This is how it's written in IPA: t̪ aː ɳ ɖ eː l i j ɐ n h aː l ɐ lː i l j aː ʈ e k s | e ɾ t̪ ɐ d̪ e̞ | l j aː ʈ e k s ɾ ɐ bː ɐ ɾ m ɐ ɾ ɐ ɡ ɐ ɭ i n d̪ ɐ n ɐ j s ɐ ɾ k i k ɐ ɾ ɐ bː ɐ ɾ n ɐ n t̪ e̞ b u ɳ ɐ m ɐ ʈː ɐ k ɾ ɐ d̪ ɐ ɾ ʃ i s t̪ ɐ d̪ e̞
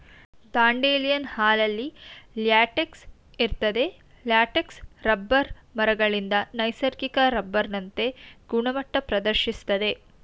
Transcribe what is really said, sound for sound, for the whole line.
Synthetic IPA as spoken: d̪ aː ɳ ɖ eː l i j ɐ n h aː l ɐ lː i l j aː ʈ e k s | i ɾ t̪ ɐ d̪ e̞ | l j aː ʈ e k s ɾ ɐ bː ɐ ɾ m ɐ ɾ ɐ ɡ ɐ ɭ i n d̪ ɐ n ɐ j s ɐ ɾ k i k ɐ ɾ ɐ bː ɐ ɾ n ɐ n t̪ e̞ ɡ u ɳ ɐ m ɐ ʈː ɐ p ɾ ɐ d̪ ɐ ɾ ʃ i s t̪ ɐ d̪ e̞